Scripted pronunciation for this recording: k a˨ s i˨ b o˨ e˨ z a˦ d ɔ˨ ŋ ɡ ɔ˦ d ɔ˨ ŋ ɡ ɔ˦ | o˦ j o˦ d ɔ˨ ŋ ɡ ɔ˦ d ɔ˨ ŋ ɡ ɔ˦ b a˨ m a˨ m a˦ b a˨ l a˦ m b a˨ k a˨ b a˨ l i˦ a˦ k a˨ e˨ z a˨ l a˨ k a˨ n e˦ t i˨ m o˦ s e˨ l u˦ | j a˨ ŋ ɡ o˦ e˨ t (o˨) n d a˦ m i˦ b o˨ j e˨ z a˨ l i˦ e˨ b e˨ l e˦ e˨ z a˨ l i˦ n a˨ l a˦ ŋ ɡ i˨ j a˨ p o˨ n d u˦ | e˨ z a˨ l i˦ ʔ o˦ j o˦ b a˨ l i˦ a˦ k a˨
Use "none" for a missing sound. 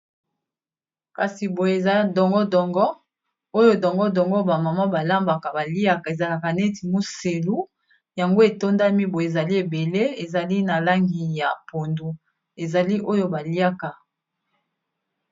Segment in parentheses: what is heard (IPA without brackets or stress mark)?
o˦